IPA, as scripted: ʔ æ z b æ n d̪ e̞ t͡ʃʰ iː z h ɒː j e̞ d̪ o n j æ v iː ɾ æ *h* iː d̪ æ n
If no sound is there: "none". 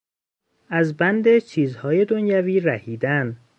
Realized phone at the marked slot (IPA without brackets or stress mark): h